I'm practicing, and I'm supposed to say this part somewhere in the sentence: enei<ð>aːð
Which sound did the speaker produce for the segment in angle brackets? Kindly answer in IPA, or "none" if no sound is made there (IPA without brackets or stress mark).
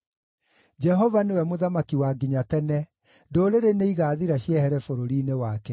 ɣ